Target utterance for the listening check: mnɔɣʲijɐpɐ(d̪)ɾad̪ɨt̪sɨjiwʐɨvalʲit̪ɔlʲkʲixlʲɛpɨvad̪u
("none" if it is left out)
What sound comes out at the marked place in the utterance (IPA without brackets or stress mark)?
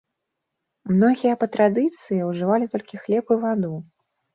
t̪